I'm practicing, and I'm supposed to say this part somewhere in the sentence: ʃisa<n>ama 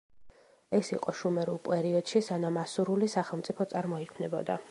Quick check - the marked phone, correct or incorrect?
correct